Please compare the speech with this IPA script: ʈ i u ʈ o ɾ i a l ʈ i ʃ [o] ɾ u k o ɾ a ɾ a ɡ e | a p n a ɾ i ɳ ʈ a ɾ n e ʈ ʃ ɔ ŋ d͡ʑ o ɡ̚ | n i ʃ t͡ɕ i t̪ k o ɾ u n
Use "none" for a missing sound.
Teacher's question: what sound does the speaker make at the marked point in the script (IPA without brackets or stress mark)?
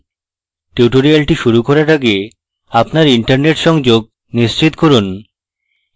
u